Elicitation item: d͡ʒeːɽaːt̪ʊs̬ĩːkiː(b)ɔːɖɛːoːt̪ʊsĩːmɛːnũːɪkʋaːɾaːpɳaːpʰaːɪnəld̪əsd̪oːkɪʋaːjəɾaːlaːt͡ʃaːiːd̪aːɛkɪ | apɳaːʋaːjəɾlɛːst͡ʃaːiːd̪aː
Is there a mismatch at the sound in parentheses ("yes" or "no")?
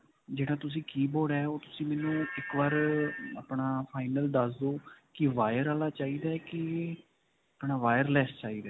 no